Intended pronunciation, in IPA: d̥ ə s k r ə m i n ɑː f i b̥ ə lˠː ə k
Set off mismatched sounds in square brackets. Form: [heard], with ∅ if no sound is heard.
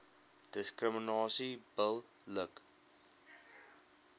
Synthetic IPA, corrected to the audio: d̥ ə s k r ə m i n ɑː [s] i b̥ ə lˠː ə k